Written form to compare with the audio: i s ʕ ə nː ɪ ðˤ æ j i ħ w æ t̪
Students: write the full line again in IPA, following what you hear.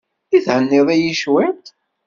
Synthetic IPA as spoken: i θ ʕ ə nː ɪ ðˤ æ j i ʃ w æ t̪